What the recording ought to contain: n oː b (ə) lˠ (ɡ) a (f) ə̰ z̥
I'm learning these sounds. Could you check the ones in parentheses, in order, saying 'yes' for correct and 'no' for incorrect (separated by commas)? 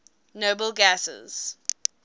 yes, yes, no